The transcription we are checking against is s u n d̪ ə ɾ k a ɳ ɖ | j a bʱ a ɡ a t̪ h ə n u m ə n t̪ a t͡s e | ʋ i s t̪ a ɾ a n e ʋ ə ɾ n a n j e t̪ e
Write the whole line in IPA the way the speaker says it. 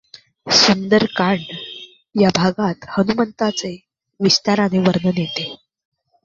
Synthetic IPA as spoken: s u n d̪ ə ɾ k a ɳ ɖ | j a bʱ a ɡ a t̪ h ə n u m ə n t̪ a t͡s e | ʋ i s t̪ a ɾ a n e ʋ ə ɾ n ə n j e t̪ e